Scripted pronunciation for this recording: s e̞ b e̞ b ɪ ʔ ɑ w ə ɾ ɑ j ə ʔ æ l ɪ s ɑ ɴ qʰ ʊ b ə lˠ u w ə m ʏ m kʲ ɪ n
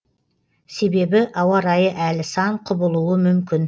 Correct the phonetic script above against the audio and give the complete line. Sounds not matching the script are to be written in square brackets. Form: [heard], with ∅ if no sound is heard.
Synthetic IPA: s e̞ b e̞ b ɪ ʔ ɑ w [ɑ] ɾ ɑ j ə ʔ æ l ɪ s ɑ ɴ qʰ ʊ b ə lˠ u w ə m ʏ m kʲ ɪ n